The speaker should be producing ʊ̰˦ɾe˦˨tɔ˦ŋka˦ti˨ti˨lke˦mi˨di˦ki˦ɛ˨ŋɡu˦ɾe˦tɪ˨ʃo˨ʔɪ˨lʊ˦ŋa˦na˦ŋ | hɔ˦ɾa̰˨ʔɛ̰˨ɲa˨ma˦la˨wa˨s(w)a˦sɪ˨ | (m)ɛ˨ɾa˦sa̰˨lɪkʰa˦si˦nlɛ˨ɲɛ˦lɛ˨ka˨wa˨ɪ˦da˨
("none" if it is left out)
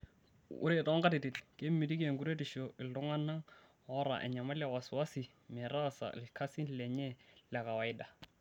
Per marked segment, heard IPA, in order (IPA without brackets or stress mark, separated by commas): w, m